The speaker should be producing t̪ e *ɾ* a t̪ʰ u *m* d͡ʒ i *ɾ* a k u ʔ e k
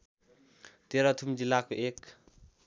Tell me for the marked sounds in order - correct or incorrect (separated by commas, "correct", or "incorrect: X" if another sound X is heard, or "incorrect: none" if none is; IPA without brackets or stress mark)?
correct, correct, incorrect: l